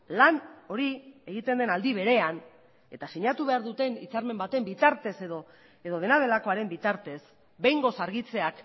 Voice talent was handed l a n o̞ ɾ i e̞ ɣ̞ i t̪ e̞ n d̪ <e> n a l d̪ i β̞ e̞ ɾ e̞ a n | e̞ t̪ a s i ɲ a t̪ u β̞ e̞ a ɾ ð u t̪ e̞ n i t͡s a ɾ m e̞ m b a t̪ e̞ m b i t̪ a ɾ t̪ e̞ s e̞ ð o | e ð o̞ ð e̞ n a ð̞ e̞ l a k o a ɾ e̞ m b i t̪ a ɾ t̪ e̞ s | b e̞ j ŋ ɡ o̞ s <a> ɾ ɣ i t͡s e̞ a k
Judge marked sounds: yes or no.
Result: yes, yes

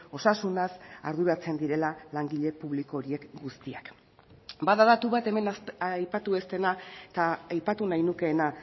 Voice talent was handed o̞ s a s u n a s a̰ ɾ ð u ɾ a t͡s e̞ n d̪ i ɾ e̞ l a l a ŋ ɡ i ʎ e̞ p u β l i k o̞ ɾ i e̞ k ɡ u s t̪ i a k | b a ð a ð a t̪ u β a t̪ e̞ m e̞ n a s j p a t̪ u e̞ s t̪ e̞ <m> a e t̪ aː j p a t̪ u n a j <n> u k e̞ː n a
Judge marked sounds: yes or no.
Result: no, yes

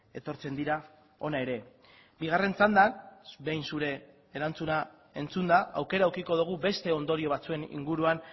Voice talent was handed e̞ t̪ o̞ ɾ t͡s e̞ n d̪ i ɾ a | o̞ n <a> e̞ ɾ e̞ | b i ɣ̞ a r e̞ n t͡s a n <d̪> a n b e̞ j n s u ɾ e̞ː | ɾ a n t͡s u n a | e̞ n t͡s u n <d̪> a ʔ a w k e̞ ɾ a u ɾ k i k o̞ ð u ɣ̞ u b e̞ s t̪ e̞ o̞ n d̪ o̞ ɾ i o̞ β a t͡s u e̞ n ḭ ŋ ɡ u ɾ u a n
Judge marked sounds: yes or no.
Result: yes, yes, yes

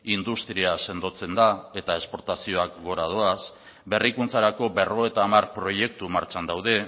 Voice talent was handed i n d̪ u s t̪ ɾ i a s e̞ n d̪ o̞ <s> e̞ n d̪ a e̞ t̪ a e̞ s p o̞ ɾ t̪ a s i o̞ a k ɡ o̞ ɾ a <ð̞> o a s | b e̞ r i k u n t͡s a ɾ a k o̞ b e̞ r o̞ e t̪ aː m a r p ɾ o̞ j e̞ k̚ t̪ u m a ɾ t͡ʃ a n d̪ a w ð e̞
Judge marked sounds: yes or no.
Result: no, yes

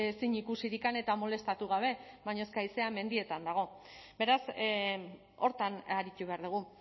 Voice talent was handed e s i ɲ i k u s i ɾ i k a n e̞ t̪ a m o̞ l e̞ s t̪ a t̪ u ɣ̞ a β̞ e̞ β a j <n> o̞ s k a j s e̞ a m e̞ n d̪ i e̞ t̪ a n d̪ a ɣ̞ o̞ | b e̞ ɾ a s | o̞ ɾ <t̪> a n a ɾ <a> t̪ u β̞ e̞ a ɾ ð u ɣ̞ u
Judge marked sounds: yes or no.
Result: no, yes, no

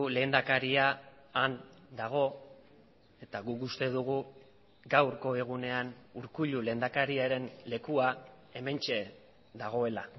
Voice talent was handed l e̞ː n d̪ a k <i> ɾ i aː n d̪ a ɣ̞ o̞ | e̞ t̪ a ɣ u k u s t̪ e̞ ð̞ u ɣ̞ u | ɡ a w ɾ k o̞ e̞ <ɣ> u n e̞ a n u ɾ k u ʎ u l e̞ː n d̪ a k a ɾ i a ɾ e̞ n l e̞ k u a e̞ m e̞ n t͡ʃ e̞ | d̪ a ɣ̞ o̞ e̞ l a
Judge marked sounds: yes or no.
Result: no, yes

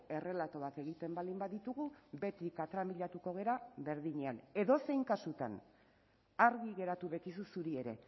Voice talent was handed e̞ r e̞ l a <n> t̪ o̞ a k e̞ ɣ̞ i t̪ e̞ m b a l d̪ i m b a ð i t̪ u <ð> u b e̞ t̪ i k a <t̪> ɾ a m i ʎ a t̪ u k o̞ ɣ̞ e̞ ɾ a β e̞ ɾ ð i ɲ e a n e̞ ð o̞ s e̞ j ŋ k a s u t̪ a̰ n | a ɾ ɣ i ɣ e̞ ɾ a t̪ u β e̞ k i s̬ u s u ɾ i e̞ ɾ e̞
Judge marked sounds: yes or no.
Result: no, no, yes

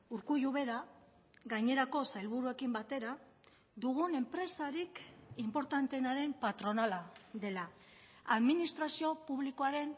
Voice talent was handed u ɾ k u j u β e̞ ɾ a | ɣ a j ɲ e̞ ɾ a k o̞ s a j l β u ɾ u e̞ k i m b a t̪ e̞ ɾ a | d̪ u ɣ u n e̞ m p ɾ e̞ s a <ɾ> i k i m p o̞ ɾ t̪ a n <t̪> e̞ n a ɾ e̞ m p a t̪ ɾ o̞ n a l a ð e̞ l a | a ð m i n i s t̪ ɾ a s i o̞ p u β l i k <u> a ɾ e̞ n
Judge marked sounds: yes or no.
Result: yes, yes, no

